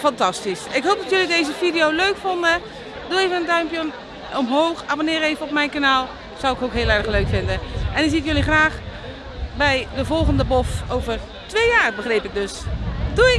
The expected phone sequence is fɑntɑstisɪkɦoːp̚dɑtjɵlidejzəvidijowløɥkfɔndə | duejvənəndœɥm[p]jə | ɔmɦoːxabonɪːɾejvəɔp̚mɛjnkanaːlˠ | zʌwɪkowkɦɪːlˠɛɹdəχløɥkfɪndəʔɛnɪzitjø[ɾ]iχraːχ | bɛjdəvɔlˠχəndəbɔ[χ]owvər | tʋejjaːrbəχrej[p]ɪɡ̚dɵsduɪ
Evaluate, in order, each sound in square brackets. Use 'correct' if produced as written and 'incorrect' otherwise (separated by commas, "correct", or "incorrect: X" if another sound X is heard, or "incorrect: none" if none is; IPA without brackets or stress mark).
correct, incorrect: l, incorrect: f, correct